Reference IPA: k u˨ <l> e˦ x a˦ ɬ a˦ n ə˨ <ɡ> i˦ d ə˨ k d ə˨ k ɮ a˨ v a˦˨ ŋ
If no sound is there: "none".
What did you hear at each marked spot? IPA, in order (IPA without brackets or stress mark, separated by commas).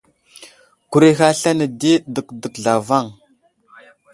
ɾ, d